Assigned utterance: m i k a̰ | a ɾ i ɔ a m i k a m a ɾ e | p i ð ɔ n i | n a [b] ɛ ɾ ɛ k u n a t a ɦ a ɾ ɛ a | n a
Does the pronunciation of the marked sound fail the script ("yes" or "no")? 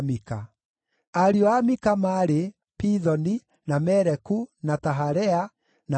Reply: yes